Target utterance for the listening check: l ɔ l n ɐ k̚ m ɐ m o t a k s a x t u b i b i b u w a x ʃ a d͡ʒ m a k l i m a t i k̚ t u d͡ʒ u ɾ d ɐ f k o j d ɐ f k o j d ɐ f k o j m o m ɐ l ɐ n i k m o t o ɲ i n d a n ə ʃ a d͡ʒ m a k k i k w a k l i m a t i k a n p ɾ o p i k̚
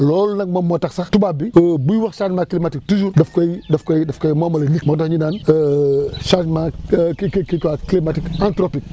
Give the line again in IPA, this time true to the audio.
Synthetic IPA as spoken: l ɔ l n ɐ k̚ m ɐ m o t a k s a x t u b a b i b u w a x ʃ a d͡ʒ m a k l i m a t i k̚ t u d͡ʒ u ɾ d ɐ f k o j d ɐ f k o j d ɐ f k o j m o m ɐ l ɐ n i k m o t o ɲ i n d a n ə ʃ a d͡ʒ m a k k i k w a k l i m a t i k a n t ɾ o p i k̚

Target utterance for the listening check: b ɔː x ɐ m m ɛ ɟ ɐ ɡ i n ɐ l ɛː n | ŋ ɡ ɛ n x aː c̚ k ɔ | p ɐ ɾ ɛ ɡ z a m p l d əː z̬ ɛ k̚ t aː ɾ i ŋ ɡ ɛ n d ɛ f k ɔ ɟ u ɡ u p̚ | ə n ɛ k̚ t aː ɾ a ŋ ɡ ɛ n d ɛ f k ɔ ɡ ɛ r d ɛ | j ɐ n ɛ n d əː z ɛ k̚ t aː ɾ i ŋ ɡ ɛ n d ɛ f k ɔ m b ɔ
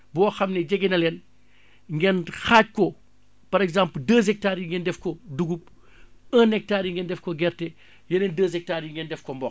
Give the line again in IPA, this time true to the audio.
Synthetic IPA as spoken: b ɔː x ɐ m n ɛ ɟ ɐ ɡ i n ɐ l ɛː n | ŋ ɡ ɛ n x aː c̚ k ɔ | p ɐ ɾ ɛ ɡ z a m p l d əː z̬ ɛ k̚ t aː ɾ i ŋ ɡ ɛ n d ɛ f k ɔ d u ɡ u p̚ | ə n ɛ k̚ t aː ɾ i ŋ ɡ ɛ n d ɛ f k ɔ ɡ ɛ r t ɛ | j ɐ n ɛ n d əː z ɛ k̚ t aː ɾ i ŋ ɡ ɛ n d ɛ f k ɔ m b ɔ

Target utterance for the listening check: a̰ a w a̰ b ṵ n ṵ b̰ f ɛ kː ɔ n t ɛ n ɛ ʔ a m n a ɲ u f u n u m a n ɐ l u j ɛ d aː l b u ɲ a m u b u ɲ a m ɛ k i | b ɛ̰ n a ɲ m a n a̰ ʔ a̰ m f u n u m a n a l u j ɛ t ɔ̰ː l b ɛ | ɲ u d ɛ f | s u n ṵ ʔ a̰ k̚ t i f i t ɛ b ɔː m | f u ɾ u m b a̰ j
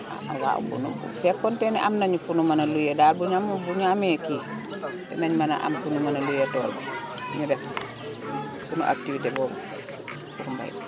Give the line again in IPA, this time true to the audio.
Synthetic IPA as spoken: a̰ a w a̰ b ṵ n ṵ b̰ f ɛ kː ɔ n t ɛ n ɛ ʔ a m n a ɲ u f u n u m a n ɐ l u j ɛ d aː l b u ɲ a m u b u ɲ a m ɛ k i | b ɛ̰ n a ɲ m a n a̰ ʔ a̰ m f u n u m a n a l u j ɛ t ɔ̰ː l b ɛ | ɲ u d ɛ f | s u n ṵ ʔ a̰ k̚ t i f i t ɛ b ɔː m | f u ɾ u m b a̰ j

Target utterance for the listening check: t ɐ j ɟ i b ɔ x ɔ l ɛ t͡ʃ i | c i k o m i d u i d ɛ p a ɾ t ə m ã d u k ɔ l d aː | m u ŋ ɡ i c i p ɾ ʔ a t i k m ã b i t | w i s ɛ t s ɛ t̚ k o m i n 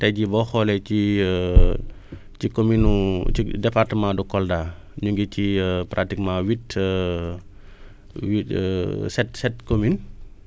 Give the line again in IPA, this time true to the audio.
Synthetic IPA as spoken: t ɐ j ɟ i b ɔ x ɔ l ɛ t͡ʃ i | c i k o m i n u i d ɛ p a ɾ t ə m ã d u k ɔ l d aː | ɲ u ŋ ɡ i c i p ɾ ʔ a t i k m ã w i t | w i s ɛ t s ɛ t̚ k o m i n

